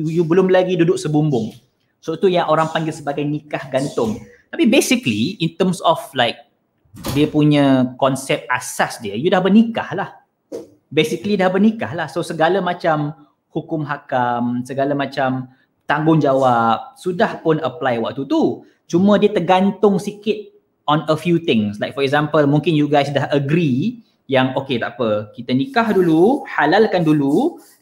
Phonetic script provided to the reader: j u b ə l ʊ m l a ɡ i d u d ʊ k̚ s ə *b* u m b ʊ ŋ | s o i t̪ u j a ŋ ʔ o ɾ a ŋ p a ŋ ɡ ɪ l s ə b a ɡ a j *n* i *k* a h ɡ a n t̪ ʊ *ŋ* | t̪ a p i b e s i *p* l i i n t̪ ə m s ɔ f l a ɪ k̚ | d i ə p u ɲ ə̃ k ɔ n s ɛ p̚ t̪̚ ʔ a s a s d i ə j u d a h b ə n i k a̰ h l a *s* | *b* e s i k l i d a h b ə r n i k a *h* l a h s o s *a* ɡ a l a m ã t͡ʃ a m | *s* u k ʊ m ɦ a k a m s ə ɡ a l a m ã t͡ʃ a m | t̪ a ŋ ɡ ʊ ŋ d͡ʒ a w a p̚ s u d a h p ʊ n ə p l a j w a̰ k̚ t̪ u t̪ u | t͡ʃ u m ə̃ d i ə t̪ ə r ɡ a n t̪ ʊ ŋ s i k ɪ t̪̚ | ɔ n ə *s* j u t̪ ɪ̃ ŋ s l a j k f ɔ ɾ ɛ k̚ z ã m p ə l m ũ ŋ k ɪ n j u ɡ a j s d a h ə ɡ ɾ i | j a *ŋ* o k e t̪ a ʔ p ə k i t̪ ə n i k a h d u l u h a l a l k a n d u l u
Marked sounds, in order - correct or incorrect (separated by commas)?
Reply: correct, correct, correct, correct, incorrect, incorrect, correct, correct, incorrect, incorrect, incorrect, correct